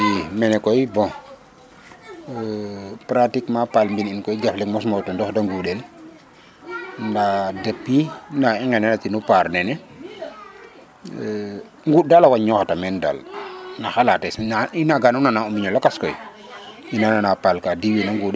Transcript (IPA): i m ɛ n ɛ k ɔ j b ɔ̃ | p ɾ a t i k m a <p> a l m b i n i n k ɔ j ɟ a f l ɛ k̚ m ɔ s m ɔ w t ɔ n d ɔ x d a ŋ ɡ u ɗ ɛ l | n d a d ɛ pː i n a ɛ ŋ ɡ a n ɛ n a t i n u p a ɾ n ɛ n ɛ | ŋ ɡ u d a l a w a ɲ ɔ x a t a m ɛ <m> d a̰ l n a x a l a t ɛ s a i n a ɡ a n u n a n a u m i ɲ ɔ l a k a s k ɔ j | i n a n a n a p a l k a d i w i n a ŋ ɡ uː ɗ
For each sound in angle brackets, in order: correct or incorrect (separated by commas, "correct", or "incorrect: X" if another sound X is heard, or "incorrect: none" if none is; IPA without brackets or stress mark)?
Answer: correct, incorrect: n